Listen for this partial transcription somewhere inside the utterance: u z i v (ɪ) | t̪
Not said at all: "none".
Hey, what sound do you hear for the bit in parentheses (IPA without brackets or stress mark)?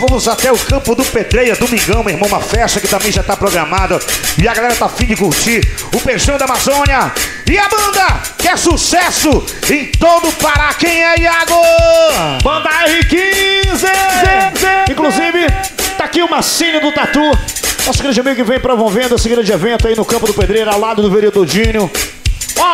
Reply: ɪ